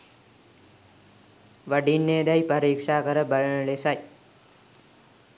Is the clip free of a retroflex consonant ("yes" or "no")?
no